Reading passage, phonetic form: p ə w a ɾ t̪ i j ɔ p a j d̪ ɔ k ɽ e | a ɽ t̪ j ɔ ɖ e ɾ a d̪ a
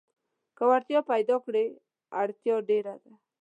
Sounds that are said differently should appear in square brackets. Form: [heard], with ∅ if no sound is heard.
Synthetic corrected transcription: [k] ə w a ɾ t̪ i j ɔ p a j d̪ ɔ k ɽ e | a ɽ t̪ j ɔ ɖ e ɾ a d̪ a